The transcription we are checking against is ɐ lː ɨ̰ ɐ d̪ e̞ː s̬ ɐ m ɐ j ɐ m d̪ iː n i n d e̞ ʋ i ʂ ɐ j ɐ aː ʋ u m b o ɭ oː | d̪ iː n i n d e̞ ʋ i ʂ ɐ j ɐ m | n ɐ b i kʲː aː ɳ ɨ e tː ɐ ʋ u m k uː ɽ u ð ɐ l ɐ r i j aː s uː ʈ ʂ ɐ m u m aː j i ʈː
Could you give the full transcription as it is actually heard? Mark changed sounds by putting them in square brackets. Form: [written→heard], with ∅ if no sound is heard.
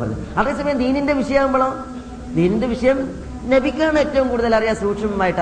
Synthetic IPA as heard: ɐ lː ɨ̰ ɐ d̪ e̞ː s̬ ɐ m ɐ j ɐ m d̪ iː n i n d e̞ ʋ i ʂ ɐ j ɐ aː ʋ u m b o ɭ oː | d̪ iː n i n d e̞ ʋ i ʂ ɐ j ɐ m | n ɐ b i kʲː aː ɳ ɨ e tː ɐ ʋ u m k uː ɽ u ð ɐ l ɐ r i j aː s uː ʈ ʂ ɐ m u m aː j i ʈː